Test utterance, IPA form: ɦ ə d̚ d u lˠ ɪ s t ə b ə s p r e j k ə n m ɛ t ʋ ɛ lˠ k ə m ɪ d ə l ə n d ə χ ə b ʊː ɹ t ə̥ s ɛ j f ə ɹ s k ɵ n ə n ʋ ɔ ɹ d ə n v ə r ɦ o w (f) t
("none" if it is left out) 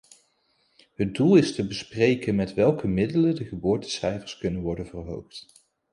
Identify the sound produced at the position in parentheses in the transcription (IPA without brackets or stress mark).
χ